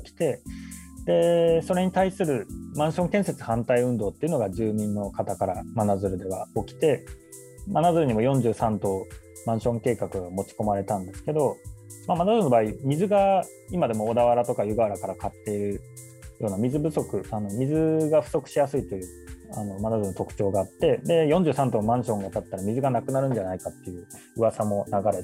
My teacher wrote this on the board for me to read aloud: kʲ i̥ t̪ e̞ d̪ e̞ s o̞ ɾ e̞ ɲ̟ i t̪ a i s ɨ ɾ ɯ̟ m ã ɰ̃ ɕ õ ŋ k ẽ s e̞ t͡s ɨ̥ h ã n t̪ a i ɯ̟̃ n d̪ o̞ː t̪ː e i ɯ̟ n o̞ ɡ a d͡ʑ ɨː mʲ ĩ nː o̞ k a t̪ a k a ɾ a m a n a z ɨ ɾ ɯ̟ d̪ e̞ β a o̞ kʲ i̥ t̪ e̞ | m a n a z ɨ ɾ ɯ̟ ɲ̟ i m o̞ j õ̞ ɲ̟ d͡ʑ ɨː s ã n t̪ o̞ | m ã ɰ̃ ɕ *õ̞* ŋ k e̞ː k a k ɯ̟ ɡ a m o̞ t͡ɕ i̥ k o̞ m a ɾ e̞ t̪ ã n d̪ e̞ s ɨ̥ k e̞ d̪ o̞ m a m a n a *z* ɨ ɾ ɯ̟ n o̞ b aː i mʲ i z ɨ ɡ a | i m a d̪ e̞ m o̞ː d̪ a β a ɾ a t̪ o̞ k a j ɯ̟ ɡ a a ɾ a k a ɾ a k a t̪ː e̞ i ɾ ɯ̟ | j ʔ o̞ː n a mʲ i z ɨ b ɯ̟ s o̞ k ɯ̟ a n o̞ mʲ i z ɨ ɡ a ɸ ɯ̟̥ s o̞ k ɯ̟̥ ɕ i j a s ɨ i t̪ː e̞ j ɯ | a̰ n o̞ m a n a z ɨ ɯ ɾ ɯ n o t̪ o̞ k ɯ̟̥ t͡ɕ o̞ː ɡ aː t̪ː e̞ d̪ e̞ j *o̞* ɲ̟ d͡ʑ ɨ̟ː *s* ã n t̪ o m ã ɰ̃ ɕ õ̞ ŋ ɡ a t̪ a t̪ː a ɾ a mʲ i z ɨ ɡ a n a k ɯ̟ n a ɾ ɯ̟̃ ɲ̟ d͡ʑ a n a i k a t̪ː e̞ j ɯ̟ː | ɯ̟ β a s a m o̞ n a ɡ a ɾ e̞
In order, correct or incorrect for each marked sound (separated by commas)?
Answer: correct, correct, incorrect, correct